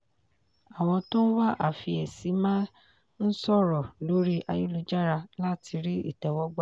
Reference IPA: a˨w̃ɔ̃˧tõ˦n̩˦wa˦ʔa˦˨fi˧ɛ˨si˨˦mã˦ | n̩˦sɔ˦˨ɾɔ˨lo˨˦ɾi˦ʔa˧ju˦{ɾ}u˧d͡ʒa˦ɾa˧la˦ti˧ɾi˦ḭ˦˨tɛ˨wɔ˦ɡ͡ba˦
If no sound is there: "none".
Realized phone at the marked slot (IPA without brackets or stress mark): l